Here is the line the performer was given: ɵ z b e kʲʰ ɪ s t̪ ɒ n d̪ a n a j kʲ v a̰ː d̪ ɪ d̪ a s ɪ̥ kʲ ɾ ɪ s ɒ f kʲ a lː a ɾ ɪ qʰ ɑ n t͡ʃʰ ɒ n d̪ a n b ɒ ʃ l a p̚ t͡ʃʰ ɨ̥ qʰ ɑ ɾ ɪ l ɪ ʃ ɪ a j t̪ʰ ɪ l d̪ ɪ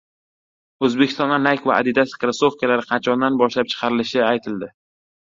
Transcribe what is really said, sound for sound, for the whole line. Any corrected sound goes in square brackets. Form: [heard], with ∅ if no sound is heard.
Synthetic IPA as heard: ɵ z b e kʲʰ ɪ s t̪ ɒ n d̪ a n a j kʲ v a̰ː d̪ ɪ d̪ a s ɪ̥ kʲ ɾ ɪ s [o] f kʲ a [l] a ɾ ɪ qʰ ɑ n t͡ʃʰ ɒ n d̪ a n b ɒ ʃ l a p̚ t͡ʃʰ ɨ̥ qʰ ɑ ɾ ɪ l ɪ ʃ ɪ a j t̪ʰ ɪ l d̪ ɪ